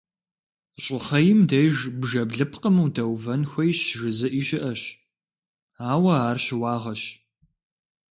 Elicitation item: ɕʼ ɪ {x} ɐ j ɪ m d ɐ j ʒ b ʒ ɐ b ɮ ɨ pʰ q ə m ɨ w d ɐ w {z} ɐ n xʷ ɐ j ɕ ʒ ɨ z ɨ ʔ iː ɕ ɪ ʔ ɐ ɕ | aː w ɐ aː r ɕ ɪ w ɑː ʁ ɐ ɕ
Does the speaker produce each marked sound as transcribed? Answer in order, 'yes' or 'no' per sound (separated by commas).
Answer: no, no